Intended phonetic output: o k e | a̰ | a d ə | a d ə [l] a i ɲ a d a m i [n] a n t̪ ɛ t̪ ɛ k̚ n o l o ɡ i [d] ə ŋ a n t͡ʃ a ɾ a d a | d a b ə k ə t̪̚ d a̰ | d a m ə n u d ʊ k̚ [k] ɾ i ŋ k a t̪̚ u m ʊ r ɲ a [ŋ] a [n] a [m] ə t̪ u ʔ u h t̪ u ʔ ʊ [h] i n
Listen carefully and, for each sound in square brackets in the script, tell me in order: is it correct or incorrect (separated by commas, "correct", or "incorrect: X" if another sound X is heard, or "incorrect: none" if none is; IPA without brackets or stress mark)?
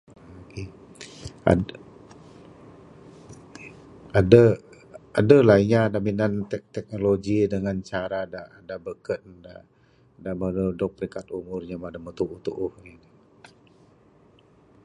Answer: correct, correct, correct, incorrect: p, incorrect: m, incorrect: d, correct, correct